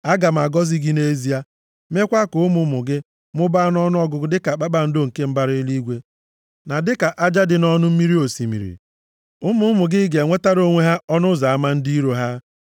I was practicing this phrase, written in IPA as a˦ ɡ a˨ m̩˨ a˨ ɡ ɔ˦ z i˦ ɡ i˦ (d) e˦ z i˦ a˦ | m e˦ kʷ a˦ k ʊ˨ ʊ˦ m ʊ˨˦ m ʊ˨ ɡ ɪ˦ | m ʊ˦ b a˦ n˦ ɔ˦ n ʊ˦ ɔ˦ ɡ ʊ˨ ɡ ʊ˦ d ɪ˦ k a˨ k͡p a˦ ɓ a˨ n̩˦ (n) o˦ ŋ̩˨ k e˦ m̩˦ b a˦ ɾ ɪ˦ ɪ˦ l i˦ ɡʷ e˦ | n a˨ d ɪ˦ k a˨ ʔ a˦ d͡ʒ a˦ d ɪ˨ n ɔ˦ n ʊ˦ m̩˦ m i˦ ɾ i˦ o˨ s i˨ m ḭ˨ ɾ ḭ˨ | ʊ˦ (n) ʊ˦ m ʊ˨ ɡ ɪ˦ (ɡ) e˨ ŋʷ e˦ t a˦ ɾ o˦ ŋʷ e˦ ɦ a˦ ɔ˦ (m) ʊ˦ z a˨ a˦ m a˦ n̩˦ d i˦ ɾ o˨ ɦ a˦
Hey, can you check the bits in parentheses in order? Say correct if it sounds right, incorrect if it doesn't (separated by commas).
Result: incorrect, incorrect, incorrect, correct, incorrect